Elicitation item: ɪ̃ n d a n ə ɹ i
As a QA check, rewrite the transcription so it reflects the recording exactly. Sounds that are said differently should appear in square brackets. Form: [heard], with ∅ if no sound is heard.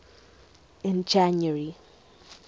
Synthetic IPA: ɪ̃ n [d͡ʒ] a n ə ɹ i